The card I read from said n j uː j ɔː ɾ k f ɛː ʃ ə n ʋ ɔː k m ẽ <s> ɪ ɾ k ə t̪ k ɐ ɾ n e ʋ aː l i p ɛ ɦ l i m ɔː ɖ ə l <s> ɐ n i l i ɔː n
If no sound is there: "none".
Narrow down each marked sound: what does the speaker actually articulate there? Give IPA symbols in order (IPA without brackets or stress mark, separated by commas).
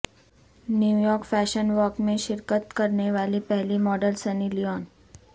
ʃ, s